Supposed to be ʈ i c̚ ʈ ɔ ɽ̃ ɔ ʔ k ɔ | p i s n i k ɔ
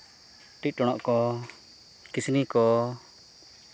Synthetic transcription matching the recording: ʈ i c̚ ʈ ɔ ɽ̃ ɔ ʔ k ɔ | k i s n i k ɔ

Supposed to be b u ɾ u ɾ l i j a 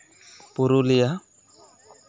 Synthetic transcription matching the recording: p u ɾ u l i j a

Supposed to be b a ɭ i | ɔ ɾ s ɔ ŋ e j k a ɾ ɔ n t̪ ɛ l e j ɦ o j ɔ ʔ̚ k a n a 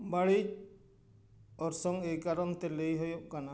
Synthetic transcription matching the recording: b a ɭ i | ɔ ɾ s ɔ ŋ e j k a ɾ ɔ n t̪ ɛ l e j ɦ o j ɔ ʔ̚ k a n a

